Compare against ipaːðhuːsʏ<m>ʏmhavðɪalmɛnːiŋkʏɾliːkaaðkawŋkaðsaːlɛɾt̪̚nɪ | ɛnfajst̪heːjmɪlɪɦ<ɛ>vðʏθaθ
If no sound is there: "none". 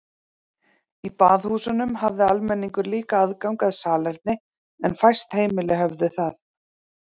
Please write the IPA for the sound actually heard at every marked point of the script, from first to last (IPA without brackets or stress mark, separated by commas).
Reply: n, œ